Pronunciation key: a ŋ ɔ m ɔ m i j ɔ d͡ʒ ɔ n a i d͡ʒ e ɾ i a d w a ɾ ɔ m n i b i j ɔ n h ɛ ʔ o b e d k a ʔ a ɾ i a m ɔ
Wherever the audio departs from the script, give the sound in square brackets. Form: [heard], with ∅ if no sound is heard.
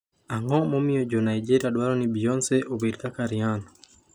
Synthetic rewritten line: a ŋ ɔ m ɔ m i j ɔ d͡ʒ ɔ n a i d͡ʒ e ɾ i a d w a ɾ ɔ [∅] n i b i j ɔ n [s] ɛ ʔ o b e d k a [k] a ɾ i a [n] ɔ